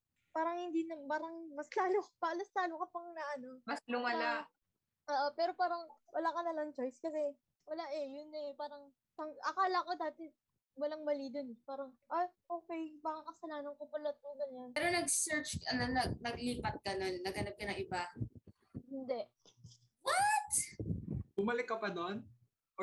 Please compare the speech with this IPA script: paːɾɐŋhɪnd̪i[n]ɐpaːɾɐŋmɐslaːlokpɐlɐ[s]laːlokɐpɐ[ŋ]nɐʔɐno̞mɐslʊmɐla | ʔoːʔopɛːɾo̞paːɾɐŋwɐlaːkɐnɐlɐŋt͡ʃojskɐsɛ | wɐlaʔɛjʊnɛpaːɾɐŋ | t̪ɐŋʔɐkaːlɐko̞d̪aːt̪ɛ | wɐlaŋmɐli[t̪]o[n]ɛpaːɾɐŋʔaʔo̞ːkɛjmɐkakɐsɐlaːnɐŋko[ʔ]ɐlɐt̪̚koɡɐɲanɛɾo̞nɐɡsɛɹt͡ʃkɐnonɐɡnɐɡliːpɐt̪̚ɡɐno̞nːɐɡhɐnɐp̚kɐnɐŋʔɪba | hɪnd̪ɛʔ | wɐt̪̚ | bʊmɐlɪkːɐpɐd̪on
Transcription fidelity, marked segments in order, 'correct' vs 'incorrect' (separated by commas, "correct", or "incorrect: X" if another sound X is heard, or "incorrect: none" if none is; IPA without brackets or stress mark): correct, correct, correct, incorrect: d̪, correct, incorrect: p